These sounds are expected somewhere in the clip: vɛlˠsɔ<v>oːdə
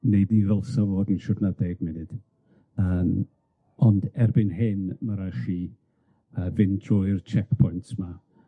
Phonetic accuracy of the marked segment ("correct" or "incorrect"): correct